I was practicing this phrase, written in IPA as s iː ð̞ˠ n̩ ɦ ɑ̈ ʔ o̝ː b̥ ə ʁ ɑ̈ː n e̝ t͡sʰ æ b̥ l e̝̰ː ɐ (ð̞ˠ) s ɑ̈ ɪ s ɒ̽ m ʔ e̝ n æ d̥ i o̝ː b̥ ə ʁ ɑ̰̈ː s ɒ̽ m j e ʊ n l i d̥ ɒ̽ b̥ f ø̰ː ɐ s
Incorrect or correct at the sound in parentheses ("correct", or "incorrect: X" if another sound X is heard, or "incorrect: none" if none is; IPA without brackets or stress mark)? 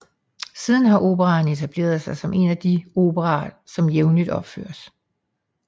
correct